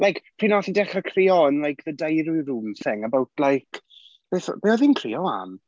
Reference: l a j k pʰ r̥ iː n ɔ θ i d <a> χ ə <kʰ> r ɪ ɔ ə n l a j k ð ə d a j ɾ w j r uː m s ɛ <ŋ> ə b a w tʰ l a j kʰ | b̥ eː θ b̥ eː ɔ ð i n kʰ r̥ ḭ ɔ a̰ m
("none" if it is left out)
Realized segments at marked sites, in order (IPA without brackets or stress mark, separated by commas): ɛ, kʰ, ŋ